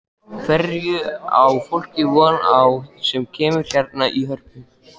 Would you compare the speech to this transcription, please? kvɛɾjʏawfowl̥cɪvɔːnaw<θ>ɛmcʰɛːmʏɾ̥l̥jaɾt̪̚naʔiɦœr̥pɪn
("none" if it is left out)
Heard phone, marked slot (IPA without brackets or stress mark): s